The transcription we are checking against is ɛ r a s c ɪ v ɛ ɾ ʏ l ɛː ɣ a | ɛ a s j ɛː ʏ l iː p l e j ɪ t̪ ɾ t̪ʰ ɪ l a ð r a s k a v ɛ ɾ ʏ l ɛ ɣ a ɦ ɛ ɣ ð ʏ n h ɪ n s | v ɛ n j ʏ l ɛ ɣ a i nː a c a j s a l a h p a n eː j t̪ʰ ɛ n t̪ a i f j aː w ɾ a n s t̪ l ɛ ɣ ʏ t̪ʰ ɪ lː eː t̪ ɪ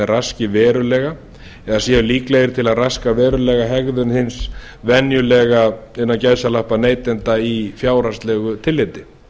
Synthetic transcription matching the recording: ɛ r a s c ɪ v ɛː ɾ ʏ l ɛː ɣ a | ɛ a s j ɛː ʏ l iː k l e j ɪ ɾ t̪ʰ ɪ l a ð r a s k a v ɛː ɾ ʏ l ɛ ɣ a ɦ ɛ ɣ ð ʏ n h ɪ n s | v ɛ n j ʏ l ɛ ɣ a ɪ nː a c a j s a l a h p a n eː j t̪ ɛ n t̪ a i f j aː w ɾ a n s t̪ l ɛ ɣ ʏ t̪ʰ ɪ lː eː t̪ ɪ